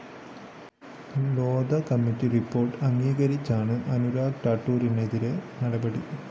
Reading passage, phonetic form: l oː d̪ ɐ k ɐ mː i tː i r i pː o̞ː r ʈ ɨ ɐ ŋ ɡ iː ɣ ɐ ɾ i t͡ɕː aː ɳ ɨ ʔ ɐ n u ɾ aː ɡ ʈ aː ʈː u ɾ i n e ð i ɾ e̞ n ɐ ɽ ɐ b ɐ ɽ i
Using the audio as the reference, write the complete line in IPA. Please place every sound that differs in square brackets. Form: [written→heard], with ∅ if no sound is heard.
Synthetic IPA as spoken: l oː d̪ ɐ k ɐ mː i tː i r i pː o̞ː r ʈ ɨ ɐ ŋ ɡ iː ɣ ɐ ɾ i t͡ɕː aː ɳ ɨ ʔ ɐ n u ɾ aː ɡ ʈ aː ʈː [u→uː] ɾ i n e ð i ɾ e̞ n ɐ ɽ ɐ b ɐ ɽ i